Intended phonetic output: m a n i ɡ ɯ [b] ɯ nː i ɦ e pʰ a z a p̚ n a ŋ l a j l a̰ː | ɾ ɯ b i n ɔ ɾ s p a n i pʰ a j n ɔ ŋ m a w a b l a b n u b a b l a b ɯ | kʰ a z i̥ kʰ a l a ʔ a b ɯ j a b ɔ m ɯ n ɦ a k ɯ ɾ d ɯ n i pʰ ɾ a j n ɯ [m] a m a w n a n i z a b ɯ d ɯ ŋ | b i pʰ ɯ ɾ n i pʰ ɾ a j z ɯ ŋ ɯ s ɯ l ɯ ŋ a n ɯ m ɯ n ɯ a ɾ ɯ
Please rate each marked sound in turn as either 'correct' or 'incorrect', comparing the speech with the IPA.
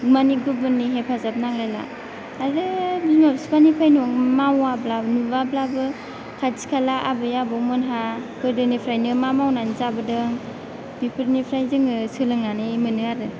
correct, correct

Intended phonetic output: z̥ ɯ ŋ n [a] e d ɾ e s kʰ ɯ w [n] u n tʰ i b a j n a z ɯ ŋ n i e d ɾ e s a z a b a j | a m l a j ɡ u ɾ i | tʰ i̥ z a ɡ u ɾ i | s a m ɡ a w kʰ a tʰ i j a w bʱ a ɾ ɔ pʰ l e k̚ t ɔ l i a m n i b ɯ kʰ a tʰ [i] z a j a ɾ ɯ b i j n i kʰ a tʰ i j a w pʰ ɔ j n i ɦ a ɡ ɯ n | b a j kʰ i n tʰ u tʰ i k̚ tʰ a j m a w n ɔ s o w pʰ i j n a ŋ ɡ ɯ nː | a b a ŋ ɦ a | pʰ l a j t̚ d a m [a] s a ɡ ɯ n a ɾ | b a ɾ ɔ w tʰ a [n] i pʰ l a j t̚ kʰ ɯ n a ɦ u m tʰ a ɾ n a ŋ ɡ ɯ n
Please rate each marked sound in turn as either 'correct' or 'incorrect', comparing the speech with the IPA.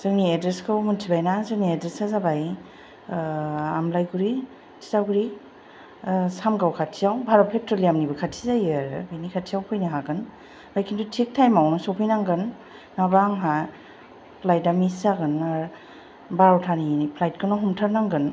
incorrect, incorrect, correct, incorrect, correct

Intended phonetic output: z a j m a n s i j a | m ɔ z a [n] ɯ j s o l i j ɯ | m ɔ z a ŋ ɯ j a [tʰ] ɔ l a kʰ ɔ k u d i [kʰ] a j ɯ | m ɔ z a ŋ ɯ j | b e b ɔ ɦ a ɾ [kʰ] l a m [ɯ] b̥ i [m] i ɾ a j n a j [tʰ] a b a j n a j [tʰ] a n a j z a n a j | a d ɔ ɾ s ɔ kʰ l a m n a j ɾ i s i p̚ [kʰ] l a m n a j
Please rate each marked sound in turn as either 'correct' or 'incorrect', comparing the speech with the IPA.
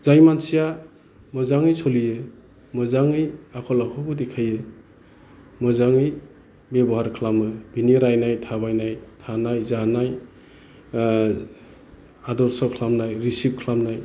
incorrect, incorrect, correct, correct, correct, incorrect, correct, correct, correct

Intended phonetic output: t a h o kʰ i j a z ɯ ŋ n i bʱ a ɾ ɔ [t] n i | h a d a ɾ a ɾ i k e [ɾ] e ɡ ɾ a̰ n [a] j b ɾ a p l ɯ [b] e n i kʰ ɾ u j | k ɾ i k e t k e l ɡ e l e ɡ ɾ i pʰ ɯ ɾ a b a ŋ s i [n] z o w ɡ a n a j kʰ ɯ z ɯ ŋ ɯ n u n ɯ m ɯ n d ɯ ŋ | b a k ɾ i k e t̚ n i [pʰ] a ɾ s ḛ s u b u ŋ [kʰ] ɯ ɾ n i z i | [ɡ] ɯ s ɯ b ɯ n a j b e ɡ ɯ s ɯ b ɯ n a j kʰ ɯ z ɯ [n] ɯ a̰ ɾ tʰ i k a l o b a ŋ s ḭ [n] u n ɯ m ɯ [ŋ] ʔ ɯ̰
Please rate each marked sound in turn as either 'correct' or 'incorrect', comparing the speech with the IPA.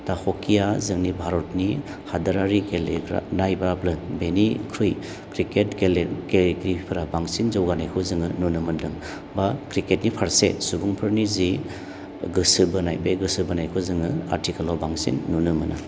correct, incorrect, correct, correct, correct, correct, incorrect, correct, incorrect, incorrect, incorrect

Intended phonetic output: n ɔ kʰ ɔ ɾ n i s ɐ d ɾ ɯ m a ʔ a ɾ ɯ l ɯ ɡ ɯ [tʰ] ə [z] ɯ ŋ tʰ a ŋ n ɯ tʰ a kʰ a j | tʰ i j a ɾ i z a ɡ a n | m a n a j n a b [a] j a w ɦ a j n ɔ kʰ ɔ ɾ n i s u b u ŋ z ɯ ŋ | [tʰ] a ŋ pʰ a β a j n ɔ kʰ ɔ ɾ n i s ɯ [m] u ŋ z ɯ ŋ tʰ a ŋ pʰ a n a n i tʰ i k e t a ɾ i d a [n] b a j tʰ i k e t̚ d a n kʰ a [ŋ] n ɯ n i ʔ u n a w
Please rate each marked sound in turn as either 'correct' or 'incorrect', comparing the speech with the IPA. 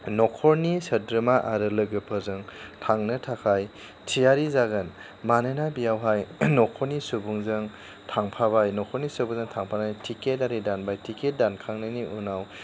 incorrect, correct, incorrect, correct, incorrect, correct, correct

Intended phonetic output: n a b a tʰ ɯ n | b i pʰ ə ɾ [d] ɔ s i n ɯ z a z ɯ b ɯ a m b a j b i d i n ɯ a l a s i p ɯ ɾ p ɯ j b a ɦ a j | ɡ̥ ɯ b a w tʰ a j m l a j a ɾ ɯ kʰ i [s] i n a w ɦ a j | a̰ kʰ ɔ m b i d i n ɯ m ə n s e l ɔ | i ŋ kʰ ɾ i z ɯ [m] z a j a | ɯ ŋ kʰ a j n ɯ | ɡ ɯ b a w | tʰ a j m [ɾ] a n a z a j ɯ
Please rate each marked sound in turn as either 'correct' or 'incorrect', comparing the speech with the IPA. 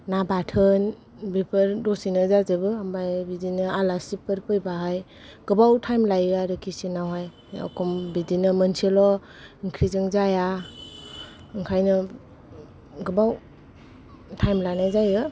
correct, correct, incorrect, incorrect

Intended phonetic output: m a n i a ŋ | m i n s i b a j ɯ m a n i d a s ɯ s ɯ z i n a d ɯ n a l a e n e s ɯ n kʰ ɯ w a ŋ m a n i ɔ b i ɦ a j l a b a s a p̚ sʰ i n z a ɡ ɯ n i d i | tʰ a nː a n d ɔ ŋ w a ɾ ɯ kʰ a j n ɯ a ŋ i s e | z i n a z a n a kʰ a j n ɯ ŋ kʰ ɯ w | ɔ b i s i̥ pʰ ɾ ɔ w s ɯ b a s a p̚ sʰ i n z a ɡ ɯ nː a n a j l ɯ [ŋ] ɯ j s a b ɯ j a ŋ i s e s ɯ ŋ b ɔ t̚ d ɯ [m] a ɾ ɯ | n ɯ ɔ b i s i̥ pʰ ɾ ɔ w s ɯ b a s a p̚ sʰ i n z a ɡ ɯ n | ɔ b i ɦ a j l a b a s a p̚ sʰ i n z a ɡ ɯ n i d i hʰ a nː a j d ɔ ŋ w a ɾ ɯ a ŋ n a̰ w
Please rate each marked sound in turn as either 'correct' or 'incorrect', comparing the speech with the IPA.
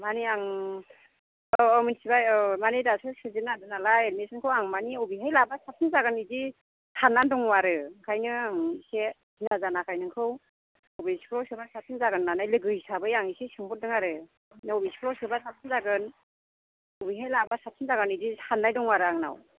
incorrect, incorrect

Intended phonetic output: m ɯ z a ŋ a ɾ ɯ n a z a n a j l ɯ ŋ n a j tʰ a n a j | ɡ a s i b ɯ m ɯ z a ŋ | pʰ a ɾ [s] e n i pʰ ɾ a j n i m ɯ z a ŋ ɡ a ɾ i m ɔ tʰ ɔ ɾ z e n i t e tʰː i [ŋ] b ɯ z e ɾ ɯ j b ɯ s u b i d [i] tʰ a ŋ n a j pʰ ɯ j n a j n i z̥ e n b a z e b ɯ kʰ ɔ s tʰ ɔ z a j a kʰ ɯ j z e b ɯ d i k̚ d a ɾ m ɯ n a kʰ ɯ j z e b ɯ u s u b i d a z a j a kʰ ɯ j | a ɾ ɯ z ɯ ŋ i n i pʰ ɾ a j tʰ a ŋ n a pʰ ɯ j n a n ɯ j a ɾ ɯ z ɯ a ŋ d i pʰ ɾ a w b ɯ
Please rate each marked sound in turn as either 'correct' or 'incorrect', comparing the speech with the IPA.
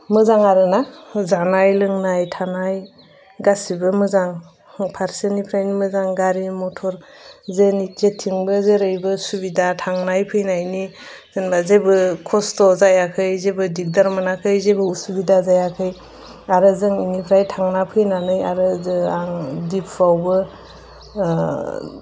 correct, correct, incorrect

